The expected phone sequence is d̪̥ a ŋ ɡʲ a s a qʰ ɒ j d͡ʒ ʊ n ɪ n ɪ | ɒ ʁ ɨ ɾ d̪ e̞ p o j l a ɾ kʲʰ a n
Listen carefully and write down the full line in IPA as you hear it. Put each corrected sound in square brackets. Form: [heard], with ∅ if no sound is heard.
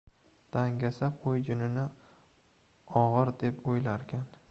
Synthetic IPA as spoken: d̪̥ a ŋ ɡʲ a s a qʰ [o] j d͡ʒ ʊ n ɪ n ɪ | ɒ ʁ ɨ ɾ d̪ e̞ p o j l a ɾ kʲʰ a n

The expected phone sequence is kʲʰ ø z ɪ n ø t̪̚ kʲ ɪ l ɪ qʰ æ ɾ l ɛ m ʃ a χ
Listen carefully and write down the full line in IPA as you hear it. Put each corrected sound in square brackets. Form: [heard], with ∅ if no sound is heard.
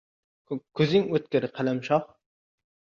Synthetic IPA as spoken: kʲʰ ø z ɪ [ŋ] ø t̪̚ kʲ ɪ [ɾ] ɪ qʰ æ [∅] l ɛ m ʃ [ɑ] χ

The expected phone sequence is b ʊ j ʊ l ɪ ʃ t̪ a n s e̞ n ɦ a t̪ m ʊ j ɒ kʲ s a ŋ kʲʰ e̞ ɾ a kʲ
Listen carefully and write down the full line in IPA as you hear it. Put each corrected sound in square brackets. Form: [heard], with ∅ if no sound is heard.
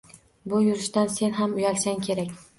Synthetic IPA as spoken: b ʊ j ʊ [ɾ] ɪ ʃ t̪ a n s e̞ n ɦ a [∅] m ʊ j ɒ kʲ s a ŋ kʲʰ e̞ ɾ a kʲ

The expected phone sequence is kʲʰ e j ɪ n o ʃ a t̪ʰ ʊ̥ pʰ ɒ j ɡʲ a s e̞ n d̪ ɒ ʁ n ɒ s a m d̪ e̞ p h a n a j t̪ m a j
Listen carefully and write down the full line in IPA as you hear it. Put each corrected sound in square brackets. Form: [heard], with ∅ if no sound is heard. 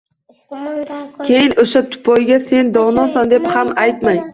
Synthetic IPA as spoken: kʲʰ e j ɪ n o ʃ a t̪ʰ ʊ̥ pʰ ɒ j ɡʲ a s e̞ n d̪ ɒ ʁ n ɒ s a [n] d̪ e̞ p h a [m] a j t̪ m a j

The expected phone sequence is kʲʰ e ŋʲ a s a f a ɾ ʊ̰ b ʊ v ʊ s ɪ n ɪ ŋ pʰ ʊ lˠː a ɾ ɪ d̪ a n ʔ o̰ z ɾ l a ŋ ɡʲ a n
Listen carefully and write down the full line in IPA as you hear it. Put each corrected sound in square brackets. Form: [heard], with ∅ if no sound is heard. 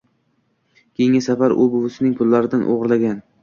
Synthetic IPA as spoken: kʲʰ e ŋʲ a s a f a ɾ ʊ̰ b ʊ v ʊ s ɪ n ɪ ŋ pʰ ʊ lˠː a ɾ ɪ d̪ a n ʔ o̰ [ʁ] ɾ l a [∅] ɡʲ a n

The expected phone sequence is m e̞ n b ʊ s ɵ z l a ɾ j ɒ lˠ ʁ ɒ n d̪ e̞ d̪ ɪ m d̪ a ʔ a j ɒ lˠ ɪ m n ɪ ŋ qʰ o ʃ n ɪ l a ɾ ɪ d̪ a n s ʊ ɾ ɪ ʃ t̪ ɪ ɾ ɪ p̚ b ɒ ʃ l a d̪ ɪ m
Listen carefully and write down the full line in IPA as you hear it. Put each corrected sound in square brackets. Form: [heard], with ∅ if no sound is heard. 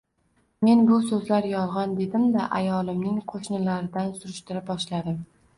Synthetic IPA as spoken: m e̞ n b ʊ s ɵ z l a ɾ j ɒ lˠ ʁ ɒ n d̪ e̞ d̪ ɪ m d̪ a ʔ a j ɒ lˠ ɪ m n ɪ ŋ qʰ o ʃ n ɪ l a ɾ ɪ d̪ a n s ʊ ɾ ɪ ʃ t̪ ɪ ɾ ɪ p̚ b ɒ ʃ l a d̪ ɪ m

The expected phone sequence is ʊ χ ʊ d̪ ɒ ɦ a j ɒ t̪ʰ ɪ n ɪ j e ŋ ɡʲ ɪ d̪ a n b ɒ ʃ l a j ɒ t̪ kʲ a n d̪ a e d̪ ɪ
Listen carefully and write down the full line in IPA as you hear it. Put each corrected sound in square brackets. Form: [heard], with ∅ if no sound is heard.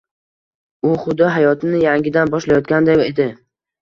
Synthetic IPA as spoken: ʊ χ ʊ d̪ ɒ ɦ a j ɒ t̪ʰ ɪ n ɪ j [a] ŋ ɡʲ ɪ d̪ a n b ɒ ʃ l a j ɒ t̪ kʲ a n d̪ a e d̪ ɪ

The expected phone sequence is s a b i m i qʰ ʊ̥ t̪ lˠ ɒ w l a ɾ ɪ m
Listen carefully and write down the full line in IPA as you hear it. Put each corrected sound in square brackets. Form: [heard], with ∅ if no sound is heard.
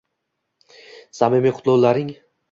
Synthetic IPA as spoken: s a [m] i m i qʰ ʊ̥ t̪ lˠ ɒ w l a ɾ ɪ [ŋ]

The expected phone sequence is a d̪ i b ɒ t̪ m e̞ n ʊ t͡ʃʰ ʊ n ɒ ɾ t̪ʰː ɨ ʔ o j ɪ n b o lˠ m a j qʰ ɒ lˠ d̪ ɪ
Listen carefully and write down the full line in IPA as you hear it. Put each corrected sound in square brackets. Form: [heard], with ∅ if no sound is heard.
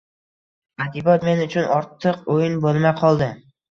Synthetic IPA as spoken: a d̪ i b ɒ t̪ m e̞ n ʊ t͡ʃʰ ʊ n ɒ ɾ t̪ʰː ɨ [q] o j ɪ n b o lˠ m a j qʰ ɒ lˠ d̪ ɪ

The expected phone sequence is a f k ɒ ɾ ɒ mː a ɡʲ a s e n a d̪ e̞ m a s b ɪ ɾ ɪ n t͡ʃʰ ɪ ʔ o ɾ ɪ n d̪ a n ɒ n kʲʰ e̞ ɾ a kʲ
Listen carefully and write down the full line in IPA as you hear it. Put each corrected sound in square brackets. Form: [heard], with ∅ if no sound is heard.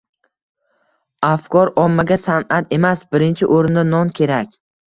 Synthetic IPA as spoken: a f k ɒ ɾ ɒ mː a ɡʲ a s [a] n a [t̪] e̞ m a s b ɪ ɾ ɪ n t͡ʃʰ ɪ ʔ o ɾ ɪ n d̪ a n ɒ n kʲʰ e̞ ɾ a kʲ

